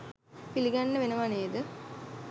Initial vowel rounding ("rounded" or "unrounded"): unrounded